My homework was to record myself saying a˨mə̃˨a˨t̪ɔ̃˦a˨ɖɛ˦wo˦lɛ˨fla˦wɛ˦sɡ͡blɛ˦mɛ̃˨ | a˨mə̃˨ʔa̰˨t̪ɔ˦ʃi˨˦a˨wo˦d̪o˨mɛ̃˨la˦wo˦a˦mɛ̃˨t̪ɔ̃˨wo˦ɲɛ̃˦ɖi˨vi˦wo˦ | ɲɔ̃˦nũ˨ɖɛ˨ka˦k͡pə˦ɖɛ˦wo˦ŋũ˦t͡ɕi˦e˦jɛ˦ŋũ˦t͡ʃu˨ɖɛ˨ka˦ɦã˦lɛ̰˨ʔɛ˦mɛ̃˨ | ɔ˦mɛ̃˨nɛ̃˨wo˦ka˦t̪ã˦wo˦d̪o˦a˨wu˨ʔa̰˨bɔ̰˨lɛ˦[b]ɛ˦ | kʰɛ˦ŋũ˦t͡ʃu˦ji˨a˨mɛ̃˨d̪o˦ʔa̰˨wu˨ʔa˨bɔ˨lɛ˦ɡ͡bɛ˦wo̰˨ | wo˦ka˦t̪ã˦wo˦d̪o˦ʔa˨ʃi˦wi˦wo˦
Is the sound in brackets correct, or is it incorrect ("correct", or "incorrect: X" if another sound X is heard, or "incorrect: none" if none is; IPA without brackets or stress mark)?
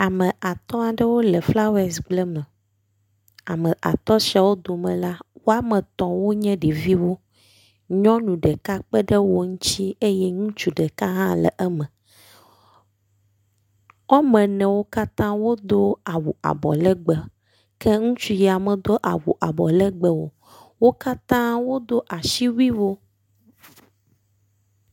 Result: incorrect: ɡ͡b